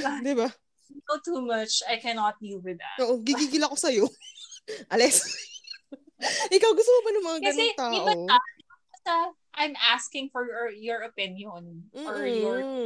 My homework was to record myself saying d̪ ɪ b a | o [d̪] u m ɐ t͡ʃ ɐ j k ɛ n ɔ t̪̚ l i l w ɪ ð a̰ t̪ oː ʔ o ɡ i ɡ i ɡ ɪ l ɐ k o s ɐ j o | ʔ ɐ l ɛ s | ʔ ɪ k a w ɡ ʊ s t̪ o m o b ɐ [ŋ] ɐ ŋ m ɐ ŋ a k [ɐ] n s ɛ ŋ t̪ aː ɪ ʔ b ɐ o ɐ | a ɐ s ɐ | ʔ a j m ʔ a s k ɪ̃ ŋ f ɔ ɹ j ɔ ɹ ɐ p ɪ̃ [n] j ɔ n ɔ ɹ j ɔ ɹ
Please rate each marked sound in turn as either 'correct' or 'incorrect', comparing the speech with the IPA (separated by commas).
incorrect, incorrect, correct, correct